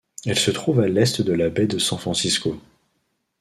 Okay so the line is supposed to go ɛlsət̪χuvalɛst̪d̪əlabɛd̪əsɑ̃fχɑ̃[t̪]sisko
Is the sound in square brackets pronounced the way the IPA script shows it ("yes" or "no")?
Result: no